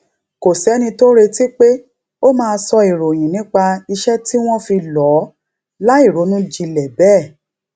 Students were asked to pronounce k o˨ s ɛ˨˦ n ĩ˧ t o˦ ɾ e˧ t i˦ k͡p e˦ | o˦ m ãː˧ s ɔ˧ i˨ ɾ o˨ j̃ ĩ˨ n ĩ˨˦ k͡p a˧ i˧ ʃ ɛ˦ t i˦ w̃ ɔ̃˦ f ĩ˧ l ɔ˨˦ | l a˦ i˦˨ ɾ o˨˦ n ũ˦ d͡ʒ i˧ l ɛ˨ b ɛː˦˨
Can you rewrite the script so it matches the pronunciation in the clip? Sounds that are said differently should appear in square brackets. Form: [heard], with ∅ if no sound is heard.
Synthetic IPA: k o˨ s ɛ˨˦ n ĩ˧ t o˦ ɾ e˧ t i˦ k͡p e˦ | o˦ m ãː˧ s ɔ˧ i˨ ɾ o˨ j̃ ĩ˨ n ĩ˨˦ k͡p a˧ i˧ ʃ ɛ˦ t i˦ w̃ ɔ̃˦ f [i˧] l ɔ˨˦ | l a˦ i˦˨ ɾ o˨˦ n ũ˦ d͡ʒ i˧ l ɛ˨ b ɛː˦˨